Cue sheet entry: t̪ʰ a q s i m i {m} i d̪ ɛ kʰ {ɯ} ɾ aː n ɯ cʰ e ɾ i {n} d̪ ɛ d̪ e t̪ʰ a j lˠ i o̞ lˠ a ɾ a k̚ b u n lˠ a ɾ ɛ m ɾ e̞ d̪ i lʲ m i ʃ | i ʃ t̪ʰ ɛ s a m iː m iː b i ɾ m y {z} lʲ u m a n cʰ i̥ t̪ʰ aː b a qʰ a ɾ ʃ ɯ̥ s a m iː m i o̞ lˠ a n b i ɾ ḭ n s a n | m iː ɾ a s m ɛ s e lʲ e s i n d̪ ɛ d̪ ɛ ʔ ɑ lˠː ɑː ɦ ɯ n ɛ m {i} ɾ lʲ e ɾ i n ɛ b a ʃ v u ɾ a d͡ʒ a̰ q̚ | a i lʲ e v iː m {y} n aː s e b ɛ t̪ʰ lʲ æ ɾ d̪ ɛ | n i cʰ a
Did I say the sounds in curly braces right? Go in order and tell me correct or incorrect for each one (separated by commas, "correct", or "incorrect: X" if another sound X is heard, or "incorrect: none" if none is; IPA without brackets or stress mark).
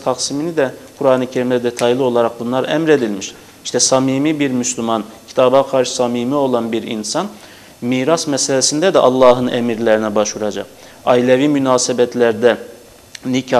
incorrect: n, incorrect: u, incorrect: m, incorrect: s, correct, correct